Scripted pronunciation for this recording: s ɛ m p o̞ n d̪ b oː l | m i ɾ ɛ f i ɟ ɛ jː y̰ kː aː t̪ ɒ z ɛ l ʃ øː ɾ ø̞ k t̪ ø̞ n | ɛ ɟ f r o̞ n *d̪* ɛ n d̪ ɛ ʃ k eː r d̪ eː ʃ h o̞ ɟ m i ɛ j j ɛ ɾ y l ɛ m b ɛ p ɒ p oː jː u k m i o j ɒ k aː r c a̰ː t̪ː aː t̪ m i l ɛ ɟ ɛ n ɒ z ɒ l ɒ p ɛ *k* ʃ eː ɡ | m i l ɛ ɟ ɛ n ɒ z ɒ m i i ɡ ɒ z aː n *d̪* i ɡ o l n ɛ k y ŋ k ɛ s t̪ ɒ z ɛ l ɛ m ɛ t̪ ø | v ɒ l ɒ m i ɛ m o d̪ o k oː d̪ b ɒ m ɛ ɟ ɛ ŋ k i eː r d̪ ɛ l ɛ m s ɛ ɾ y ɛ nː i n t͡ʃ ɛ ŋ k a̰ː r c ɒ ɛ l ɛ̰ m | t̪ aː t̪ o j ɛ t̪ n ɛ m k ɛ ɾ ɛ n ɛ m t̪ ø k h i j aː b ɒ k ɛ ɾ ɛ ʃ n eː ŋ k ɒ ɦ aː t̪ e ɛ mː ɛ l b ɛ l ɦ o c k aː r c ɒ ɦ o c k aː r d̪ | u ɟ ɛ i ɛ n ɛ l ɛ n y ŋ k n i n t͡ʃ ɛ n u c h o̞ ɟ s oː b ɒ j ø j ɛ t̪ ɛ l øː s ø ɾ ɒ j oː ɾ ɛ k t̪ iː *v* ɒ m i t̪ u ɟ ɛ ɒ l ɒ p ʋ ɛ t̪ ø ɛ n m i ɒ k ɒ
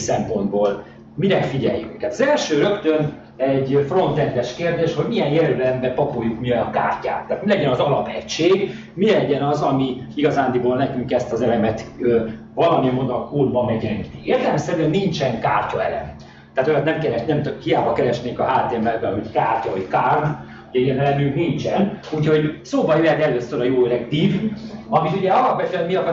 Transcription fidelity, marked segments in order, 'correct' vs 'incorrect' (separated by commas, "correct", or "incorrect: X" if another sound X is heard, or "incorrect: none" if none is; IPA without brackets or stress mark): incorrect: t̪, incorrect: c, correct, correct